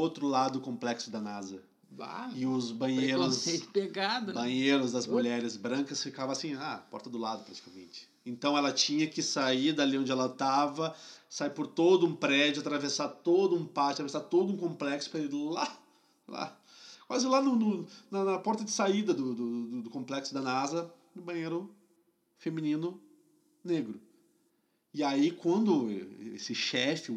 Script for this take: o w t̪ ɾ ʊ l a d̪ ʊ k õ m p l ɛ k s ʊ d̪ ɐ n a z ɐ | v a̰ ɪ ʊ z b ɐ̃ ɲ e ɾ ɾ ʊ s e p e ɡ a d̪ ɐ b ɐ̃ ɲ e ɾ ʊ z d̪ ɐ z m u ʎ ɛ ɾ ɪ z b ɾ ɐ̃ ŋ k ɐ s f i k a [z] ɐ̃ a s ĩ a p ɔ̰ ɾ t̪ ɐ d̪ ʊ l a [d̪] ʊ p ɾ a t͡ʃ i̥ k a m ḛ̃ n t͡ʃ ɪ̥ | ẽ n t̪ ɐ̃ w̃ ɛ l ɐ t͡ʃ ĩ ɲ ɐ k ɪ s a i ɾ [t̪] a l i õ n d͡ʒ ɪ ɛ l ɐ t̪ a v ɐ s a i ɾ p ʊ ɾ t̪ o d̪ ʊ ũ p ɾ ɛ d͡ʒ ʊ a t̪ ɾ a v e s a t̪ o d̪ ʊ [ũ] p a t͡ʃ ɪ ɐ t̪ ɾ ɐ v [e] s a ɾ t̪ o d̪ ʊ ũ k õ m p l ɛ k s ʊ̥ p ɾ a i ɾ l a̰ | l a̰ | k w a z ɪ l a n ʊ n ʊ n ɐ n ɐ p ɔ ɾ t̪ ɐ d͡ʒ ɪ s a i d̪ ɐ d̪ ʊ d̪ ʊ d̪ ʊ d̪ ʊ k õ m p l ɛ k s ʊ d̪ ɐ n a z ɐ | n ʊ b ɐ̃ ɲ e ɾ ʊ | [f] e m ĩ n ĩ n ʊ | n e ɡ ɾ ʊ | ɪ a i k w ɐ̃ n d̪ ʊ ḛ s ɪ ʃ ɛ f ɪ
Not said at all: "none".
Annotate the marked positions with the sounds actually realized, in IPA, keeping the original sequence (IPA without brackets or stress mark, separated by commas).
v, d̪, d̪, ũ, e, f